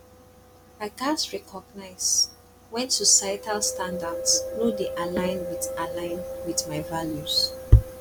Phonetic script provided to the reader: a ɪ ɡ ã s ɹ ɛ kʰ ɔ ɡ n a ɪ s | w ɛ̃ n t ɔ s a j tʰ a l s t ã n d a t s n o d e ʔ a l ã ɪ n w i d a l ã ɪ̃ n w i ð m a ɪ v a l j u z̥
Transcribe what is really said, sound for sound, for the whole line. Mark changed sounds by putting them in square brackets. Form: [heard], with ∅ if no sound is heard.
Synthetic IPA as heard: a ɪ ɡ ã s ɹ ɛ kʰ ɔ ɡ n a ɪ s | w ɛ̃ n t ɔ s a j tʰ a l s t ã n d a [d] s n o d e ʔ a l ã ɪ n w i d a l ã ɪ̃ n w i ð m a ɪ v a l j u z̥